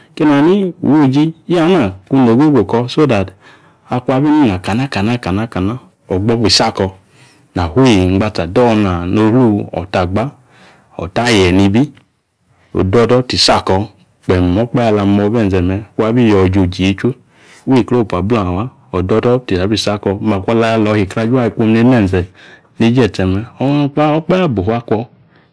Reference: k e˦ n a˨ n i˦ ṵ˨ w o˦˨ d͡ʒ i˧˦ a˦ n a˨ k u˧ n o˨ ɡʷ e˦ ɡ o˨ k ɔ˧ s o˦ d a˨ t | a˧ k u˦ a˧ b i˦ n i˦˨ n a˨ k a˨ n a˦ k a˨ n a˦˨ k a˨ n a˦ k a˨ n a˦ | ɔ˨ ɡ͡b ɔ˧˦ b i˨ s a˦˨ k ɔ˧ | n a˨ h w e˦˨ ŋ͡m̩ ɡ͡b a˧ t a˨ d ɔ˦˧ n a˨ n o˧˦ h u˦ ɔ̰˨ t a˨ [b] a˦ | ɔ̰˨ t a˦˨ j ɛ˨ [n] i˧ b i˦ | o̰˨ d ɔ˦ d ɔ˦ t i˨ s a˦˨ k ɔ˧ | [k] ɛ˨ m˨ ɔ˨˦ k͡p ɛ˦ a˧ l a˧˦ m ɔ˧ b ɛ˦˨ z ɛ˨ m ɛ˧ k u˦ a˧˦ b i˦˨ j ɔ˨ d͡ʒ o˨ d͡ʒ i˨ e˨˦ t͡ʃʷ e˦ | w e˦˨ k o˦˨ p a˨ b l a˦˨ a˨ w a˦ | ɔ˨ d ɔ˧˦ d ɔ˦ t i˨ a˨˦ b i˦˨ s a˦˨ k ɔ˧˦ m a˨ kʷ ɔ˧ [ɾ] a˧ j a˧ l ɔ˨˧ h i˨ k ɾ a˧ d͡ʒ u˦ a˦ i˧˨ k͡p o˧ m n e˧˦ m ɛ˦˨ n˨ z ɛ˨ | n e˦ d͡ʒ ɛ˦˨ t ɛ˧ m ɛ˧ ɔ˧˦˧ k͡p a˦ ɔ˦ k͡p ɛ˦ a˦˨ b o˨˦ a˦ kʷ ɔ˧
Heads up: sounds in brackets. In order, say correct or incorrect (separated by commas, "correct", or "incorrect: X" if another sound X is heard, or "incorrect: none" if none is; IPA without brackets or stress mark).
incorrect: ɡ͡b, correct, incorrect: k͡p, incorrect: l